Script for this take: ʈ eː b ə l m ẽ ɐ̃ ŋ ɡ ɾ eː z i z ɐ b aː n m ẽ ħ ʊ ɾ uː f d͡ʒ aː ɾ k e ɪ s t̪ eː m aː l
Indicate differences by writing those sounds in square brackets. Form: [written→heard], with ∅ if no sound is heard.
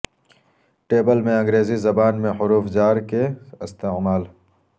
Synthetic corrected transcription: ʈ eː b ə l m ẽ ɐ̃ ŋ ɡ ɾ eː z i z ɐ b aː n m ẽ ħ ʊ ɾ uː f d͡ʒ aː ɾ k e ɪ s t̪ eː m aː l